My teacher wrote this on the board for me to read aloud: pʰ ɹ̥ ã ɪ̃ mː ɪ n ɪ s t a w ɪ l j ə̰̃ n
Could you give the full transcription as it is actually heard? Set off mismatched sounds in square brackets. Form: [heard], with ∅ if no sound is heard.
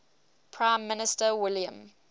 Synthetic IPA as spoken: pʰ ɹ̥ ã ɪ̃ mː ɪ n ɪ s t [ə] w ɪ l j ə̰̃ [m]